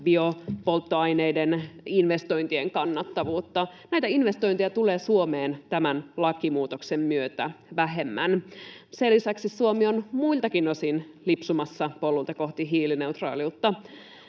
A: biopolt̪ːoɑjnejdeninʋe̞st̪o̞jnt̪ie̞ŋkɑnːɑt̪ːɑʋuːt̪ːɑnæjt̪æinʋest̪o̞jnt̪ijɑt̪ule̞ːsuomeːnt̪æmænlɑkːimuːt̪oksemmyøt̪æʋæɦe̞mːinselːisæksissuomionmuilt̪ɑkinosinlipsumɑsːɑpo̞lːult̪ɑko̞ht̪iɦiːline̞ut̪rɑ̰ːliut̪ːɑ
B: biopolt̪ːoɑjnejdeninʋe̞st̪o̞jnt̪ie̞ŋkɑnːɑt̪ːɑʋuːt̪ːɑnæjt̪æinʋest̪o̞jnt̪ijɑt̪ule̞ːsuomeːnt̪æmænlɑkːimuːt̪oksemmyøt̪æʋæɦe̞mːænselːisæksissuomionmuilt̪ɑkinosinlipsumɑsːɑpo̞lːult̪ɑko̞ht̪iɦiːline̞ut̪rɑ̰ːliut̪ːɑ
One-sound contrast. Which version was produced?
B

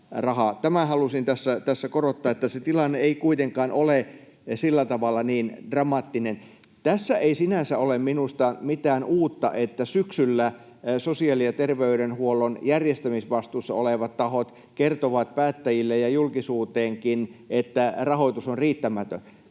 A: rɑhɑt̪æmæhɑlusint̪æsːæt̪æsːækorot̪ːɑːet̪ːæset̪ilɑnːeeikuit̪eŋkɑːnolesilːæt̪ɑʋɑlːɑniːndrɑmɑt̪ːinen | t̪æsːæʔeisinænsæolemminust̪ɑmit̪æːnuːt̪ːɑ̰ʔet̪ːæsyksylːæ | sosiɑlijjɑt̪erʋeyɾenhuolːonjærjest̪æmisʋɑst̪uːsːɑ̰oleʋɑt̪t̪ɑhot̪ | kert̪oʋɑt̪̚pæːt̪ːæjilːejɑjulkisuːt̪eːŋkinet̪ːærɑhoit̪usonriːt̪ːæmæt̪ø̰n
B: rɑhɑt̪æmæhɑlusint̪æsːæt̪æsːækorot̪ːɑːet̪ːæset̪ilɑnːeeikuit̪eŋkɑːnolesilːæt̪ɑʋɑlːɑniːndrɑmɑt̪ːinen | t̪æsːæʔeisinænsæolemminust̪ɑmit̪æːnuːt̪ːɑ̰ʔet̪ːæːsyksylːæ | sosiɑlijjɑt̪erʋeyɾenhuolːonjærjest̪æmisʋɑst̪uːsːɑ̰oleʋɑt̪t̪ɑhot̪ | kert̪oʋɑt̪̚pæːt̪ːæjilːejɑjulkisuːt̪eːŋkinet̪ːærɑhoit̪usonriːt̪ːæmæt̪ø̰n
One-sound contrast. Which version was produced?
A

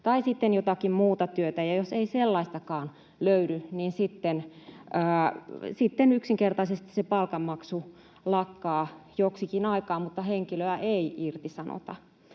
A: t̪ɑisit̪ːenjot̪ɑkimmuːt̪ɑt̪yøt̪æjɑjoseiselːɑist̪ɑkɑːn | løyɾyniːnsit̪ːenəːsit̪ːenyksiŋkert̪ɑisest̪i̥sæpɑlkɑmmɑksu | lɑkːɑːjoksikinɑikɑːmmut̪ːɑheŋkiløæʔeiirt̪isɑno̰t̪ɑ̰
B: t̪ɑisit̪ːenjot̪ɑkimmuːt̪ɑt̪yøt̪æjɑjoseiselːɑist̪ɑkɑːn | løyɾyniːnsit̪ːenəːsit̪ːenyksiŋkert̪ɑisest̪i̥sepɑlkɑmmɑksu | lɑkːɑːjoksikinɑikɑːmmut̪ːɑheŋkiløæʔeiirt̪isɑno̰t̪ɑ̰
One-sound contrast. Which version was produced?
B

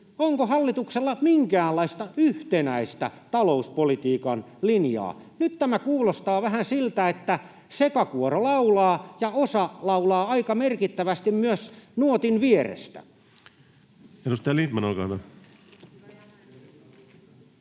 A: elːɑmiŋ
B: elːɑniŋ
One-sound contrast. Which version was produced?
A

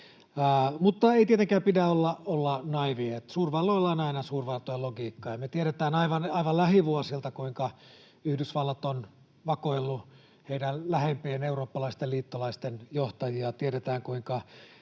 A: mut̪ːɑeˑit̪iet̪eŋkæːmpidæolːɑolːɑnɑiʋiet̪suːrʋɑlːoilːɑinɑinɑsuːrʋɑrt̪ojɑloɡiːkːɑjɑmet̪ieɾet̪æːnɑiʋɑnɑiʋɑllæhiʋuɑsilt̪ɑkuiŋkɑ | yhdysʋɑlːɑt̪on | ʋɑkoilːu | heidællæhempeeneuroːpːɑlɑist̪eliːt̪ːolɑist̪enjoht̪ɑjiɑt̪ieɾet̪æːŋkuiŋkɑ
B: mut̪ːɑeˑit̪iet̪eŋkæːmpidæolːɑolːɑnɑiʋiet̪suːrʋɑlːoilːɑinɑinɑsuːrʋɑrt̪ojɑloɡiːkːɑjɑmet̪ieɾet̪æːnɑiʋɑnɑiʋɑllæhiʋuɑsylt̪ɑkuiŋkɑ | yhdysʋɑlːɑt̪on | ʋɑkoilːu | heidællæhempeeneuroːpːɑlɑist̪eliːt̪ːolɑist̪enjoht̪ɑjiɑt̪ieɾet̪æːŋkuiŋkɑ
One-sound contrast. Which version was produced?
A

